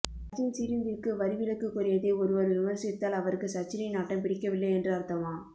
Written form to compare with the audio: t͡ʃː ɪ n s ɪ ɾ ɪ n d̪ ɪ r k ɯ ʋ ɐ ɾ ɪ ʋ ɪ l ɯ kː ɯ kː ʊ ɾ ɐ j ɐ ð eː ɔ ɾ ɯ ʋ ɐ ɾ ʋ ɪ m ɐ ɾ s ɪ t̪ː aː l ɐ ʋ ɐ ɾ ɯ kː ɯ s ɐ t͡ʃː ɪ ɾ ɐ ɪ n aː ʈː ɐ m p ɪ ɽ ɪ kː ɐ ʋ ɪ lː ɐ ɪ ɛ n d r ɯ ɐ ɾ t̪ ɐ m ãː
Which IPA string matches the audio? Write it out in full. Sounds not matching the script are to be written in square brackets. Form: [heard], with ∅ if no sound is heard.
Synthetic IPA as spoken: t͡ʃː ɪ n s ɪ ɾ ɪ n d̪ ɪ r k ɯ ʋ ɐ ɾ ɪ ʋ ɪ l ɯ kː ɯ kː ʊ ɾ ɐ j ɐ ð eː ɔ ɾ ɯ ʋ ɐ ɾ ʋ ɪ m ɐ ɾ s ɪ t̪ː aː l ɐ ʋ ɐ ɾ ɯ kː ɯ s ɐ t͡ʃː ɪ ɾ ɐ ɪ n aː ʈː ɐ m p ɪ ɽ ɪ kː ɐ ʋ ɪ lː ɐ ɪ ɛ n d r ɯ ɐ ɾ t̪ ɐ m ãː